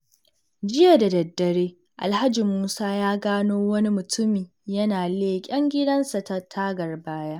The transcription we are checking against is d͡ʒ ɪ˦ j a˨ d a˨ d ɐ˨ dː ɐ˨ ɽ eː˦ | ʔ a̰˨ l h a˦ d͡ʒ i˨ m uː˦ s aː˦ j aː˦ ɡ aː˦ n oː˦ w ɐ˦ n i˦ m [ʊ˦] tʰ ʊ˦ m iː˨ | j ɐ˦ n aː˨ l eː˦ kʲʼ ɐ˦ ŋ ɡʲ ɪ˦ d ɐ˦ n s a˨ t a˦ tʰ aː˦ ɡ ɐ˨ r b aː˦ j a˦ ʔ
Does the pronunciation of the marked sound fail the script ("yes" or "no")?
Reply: yes